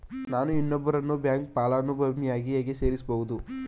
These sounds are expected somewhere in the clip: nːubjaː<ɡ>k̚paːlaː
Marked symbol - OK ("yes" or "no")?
no